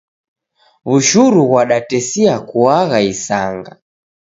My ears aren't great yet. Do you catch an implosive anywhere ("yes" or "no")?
yes